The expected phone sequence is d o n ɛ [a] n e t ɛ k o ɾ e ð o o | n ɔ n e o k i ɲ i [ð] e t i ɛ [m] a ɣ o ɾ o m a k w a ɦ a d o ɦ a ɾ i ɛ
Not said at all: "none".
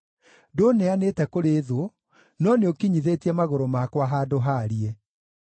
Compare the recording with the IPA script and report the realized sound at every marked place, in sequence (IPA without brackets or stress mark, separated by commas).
a, ð, m